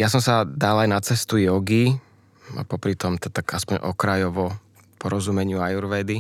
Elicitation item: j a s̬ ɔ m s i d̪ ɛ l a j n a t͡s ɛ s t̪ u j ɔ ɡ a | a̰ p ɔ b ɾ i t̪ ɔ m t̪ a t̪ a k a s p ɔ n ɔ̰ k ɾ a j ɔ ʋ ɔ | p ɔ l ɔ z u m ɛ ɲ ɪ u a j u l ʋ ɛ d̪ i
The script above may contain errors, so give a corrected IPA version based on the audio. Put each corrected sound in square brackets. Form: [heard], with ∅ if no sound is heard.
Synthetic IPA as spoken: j a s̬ ɔ m s [a] d̪ [a] l a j n a t͡s ɛ s t̪ u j ɔ ɡ [i] | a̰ p ɔ [p] ɾ i t̪ ɔ m t̪ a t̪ a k a s p ɔ [ɲ] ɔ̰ k ɾ a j ɔ ʋ ɔ | p ɔ [ɾ] ɔ z u m ɛ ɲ ɪ u a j u [ɾ] ʋ ɛ d̪ i